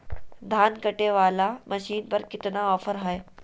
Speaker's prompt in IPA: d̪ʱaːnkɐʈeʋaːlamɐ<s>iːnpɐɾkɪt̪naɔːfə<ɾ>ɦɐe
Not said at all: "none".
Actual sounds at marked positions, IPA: ʃ, ɾ

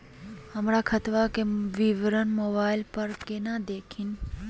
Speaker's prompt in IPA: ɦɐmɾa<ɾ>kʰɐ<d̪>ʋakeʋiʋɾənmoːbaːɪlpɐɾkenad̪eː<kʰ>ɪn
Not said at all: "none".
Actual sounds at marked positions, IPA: none, t̪, kʰ

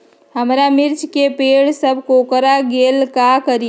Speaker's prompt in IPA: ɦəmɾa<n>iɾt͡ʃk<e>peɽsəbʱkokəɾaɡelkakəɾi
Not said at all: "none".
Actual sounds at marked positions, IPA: m, e

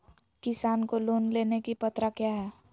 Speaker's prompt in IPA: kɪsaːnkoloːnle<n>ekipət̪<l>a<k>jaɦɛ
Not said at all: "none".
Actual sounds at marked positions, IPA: n, ɾ, k

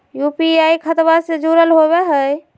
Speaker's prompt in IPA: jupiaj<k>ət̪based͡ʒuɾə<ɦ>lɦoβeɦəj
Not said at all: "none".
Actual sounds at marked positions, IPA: kʰ, none

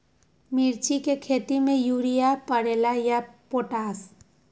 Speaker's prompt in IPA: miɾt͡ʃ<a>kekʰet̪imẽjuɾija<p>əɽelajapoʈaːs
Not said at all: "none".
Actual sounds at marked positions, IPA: i, p

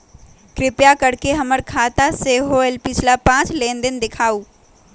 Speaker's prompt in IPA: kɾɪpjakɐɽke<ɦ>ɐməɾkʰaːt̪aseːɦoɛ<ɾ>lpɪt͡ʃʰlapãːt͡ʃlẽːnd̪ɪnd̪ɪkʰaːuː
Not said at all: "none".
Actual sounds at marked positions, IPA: ɦ, none

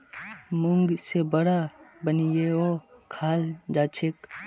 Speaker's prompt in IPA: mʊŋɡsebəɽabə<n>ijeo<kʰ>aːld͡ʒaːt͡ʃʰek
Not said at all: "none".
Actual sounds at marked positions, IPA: n, kʰ

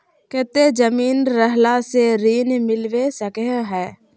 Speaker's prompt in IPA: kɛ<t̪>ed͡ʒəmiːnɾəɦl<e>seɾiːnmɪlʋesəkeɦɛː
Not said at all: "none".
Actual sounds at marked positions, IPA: t̪, a

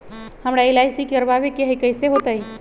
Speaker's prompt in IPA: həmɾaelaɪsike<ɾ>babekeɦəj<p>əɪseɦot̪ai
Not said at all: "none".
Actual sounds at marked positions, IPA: ɾ, k

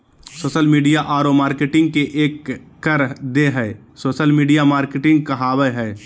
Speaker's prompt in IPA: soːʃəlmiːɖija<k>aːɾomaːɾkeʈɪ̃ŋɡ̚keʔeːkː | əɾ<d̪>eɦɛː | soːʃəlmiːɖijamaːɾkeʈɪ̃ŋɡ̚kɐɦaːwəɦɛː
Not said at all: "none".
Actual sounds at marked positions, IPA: ʔ, d̪

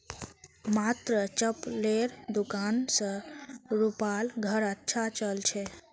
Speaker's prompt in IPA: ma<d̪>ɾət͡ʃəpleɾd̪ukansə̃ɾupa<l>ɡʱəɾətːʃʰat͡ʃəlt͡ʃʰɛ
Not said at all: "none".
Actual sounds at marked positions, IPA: t̪, l

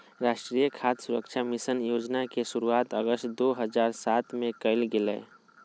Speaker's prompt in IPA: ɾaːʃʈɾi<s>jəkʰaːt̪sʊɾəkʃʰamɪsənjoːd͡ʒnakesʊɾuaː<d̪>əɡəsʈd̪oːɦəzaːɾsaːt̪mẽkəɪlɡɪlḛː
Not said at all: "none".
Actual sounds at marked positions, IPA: none, t̪

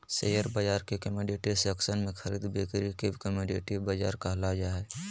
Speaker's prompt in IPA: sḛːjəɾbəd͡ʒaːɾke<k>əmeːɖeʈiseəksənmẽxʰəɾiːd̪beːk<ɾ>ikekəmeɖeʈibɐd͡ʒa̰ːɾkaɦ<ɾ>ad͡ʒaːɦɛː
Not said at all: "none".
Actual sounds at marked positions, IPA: k, ɾ, l

